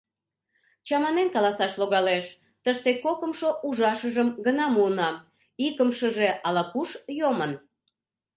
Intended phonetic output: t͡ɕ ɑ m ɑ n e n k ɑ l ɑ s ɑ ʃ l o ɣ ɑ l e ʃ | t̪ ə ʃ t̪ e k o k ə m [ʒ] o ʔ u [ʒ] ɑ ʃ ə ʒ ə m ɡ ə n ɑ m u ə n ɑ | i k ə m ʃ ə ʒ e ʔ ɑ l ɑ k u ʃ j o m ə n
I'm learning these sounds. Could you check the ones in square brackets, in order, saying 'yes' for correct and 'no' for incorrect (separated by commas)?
no, yes